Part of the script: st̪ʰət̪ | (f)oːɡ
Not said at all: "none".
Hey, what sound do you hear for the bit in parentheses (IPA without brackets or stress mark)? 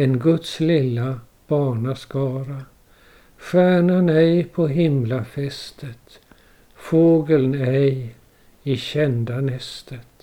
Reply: f